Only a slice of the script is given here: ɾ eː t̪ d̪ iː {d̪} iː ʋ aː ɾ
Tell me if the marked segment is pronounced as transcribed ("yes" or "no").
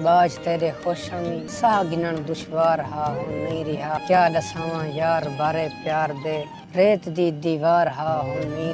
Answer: yes